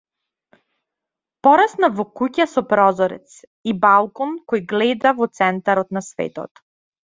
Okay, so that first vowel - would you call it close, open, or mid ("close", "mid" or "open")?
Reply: mid